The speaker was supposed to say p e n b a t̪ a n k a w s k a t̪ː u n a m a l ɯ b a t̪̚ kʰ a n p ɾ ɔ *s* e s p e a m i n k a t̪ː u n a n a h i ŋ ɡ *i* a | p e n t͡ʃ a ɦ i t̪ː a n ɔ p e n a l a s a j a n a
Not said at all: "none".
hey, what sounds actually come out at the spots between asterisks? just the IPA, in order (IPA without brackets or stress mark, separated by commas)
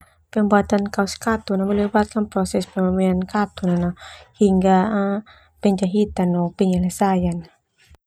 s, a